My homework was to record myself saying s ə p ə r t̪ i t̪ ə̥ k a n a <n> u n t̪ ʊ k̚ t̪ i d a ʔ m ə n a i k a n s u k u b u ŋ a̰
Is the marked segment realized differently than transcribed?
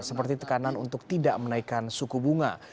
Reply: no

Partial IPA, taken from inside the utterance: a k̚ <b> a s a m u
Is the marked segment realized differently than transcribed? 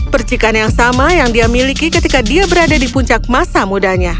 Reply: yes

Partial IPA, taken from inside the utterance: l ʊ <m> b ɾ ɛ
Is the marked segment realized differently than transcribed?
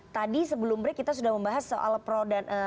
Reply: no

